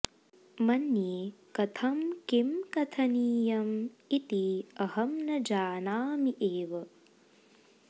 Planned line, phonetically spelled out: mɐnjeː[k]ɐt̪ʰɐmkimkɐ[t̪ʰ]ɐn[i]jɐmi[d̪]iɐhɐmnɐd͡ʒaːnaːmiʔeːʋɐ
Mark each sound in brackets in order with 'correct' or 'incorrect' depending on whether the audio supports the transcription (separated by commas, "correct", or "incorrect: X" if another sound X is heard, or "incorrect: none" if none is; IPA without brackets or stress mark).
correct, correct, incorrect: iː, incorrect: t̪